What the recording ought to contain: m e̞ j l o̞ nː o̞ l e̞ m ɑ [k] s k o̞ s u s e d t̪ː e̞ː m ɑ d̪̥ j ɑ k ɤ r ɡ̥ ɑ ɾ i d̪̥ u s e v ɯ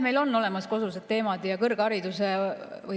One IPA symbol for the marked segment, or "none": none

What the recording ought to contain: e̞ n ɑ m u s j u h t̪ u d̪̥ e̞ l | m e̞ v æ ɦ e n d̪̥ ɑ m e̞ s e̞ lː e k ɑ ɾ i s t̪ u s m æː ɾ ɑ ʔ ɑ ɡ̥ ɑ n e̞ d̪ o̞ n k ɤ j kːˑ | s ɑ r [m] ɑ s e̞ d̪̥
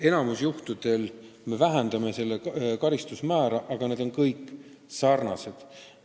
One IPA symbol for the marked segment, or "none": n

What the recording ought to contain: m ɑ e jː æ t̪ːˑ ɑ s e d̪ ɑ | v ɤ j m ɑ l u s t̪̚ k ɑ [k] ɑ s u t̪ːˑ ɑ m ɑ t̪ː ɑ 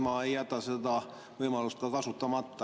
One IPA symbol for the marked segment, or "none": k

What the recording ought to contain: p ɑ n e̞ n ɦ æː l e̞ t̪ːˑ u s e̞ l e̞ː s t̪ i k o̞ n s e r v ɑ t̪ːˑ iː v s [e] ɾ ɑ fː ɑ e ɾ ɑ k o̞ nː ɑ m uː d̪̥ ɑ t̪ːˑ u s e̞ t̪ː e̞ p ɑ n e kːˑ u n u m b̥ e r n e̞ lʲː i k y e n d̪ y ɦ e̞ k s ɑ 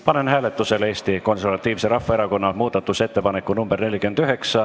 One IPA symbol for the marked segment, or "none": e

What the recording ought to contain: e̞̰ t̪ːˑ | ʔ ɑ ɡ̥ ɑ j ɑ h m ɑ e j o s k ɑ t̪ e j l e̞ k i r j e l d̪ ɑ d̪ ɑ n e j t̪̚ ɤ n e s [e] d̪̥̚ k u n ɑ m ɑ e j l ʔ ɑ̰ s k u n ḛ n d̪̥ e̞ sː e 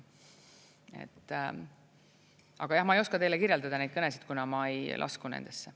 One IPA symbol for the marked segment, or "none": i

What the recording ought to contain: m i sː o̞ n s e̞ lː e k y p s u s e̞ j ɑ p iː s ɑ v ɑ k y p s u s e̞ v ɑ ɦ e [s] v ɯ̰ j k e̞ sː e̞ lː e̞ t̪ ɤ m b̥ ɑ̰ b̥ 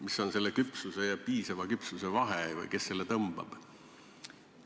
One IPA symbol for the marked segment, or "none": none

